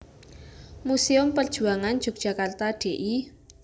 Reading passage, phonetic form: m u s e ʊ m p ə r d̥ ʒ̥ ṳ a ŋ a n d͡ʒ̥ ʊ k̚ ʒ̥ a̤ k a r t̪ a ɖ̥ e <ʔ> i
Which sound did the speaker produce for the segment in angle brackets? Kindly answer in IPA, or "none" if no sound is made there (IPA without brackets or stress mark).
ʔ